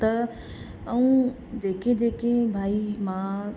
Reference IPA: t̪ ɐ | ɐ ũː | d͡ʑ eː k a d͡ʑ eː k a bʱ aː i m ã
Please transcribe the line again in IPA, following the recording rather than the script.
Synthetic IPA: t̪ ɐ | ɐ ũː | d͡ʑ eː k e d͡ʑ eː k e bʱ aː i m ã